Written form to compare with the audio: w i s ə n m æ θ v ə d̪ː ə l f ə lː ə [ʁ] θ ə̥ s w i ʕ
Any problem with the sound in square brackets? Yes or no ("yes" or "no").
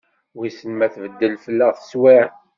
no